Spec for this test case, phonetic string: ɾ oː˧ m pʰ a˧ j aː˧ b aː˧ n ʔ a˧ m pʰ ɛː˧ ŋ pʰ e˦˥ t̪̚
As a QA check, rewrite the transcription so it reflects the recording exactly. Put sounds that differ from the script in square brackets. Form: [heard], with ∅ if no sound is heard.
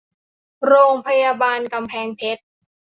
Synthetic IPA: ɾ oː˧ [ŋ] pʰ a˧ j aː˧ b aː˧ n [k] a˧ m pʰ ɛː˧ ŋ pʰ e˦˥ t̪̚